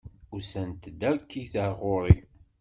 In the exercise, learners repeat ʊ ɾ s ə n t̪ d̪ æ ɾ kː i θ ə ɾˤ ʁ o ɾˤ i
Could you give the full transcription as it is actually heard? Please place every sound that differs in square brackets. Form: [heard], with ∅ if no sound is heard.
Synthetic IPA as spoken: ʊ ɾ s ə n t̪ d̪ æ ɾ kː i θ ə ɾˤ ʁ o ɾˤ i